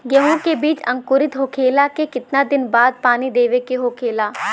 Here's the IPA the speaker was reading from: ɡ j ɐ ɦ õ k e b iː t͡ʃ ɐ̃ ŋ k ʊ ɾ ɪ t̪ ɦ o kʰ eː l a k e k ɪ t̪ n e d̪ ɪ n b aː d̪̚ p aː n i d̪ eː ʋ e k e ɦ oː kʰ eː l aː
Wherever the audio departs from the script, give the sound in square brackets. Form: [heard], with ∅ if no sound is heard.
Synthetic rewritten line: ɡ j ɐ ɦ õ k e b iː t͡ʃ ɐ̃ ŋ k ʊ ɾ ɪ t̪ ɦ o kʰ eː l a k e k ɪ t̪ n [a] d̪ ɪ n b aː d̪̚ p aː n i d̪ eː ʋ e k e ɦ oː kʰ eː l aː